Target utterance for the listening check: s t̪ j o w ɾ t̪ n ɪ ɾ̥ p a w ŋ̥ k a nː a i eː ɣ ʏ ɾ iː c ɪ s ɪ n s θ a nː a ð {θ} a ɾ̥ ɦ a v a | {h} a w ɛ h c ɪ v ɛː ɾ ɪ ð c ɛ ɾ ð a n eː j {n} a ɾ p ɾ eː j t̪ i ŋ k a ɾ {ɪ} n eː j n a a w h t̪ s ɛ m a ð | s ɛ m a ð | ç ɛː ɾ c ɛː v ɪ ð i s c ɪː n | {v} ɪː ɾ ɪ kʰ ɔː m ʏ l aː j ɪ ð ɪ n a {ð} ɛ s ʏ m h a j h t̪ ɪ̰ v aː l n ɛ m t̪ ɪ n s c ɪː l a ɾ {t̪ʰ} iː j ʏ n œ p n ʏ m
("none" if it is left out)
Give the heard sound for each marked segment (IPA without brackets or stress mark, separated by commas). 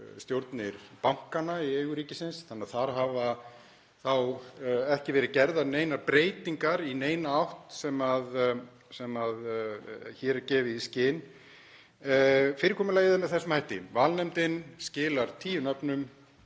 θ, θ, n, i, f, θ, t̪ʰ